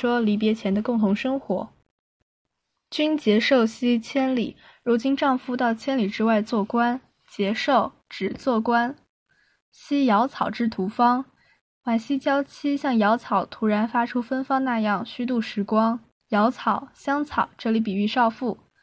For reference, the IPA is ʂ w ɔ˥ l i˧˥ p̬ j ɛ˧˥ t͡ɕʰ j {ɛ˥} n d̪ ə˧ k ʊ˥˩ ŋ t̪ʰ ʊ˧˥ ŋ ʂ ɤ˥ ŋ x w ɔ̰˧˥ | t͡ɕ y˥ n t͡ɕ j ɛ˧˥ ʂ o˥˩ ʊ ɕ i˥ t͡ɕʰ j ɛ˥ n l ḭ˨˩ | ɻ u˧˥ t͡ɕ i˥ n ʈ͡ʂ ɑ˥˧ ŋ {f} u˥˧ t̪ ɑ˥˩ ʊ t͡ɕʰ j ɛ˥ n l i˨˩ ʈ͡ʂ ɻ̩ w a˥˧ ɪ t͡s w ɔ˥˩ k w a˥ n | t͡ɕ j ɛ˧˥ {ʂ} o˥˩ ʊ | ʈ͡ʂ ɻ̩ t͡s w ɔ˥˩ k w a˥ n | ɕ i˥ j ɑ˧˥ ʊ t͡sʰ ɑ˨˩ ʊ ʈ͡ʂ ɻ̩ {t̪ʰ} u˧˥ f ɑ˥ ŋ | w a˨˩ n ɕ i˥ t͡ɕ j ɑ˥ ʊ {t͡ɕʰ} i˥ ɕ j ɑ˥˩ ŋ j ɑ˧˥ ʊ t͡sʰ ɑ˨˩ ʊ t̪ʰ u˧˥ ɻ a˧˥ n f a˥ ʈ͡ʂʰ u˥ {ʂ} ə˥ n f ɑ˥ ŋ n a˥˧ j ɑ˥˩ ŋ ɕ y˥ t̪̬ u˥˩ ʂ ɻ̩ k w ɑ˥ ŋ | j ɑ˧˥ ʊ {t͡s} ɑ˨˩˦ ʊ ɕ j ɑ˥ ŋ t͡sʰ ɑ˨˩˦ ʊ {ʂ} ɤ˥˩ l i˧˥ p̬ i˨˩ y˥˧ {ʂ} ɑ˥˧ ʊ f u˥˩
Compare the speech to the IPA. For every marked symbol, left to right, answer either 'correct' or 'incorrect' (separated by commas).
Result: incorrect, correct, correct, correct, correct, incorrect, incorrect, incorrect, correct